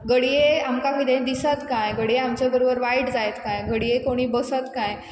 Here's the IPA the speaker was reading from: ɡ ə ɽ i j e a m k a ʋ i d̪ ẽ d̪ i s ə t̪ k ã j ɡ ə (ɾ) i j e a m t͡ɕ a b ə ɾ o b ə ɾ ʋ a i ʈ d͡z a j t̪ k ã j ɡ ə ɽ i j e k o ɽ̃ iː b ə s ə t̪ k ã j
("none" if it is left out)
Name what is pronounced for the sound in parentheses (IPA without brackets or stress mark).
ɽ